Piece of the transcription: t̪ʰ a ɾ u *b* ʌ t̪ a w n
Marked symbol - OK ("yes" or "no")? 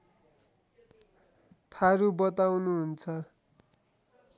yes